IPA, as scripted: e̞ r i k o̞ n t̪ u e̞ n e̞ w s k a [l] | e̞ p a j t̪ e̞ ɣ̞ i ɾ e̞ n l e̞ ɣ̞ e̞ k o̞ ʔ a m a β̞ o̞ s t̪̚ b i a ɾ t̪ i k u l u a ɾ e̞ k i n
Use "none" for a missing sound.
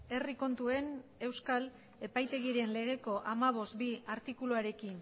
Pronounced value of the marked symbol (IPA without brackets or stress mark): l